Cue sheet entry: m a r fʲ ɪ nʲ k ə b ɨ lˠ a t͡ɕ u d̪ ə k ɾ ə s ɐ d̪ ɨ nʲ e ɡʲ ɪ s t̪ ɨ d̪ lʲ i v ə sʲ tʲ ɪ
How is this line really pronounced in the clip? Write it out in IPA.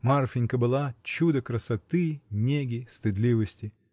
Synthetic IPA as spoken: m a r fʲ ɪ nʲ k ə b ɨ lˠ a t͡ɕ u d̪ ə k ɾ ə s ɐ t̪ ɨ nʲ e ɡʲ ɪ s t̪ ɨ d̪ lʲ i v ə sʲ tʲ ɪ